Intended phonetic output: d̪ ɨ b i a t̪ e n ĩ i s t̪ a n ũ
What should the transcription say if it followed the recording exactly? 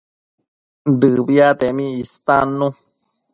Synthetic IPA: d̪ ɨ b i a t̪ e m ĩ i s t̪ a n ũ